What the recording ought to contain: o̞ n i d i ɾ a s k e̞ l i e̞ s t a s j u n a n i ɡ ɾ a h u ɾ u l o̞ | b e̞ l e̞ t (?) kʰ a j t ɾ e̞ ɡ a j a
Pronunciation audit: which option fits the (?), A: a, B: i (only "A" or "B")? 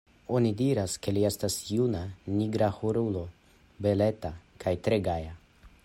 A